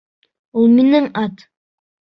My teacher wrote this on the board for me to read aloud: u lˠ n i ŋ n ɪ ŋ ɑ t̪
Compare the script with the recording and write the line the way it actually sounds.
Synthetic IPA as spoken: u lˠ m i n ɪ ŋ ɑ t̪